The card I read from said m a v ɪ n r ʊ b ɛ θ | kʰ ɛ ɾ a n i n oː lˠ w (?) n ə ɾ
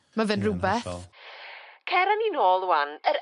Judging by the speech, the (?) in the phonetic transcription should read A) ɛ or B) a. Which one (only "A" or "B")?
B